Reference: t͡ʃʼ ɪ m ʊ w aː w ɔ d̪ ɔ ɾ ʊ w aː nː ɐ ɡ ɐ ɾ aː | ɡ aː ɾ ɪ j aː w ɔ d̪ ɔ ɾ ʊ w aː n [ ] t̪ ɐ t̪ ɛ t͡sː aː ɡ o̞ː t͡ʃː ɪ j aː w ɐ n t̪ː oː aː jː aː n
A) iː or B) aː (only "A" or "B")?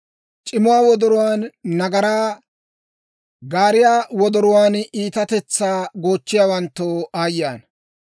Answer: A